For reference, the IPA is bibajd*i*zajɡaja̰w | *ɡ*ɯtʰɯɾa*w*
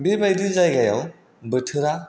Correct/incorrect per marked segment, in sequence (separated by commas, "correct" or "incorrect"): correct, incorrect, incorrect